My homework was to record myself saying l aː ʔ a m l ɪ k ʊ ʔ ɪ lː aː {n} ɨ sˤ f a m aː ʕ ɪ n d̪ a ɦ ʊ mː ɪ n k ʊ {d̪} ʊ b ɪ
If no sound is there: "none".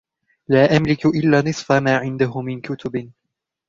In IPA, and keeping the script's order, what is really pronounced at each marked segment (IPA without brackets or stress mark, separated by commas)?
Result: n, t̪